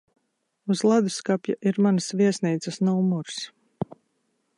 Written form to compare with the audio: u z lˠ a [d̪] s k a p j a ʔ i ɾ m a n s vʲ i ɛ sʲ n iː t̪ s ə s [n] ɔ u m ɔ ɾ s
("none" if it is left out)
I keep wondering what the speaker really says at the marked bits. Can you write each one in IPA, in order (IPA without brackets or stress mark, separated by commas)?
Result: d̪, n